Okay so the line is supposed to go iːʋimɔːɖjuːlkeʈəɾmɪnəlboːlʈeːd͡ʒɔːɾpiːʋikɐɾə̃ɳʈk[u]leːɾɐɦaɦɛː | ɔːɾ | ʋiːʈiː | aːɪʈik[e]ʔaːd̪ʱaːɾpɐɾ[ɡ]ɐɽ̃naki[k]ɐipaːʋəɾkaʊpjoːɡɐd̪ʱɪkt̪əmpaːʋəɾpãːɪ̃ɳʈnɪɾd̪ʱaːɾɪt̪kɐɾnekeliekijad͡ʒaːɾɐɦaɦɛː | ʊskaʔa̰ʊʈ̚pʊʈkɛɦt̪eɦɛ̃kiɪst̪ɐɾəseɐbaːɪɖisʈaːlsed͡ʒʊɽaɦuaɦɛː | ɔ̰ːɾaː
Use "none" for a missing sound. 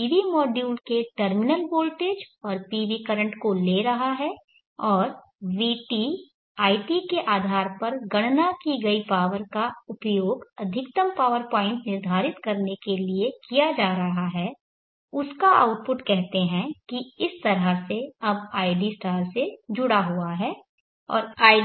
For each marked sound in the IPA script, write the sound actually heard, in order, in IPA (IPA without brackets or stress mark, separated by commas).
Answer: o, e, ɡ, ɡ